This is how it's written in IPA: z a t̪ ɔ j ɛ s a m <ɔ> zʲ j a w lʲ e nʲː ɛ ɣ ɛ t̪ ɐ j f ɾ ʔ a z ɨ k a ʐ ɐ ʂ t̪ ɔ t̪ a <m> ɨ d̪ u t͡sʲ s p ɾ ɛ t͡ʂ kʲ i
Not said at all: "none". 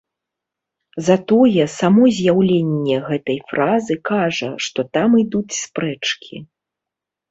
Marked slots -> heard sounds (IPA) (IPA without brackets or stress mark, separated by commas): ɔ, m